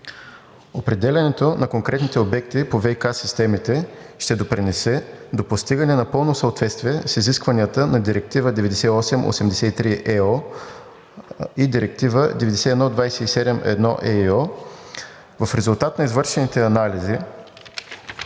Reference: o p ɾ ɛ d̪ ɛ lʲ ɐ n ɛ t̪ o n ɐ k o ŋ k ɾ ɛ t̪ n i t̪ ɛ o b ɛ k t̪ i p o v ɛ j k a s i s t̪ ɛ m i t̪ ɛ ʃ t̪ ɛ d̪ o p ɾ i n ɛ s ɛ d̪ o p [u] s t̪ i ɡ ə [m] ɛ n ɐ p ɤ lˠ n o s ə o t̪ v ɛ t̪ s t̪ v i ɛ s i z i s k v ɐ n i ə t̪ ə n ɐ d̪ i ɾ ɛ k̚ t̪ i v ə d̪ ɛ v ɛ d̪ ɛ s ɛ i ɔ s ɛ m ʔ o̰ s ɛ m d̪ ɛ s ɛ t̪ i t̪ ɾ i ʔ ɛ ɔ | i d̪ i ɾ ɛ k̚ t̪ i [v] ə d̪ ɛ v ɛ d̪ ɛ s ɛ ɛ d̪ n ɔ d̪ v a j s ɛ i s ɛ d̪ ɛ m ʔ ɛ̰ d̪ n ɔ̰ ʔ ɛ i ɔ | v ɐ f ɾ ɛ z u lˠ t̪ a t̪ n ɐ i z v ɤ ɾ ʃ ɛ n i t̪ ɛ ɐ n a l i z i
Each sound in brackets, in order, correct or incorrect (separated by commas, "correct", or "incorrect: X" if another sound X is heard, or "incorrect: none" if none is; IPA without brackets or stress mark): incorrect: o, incorrect: n, correct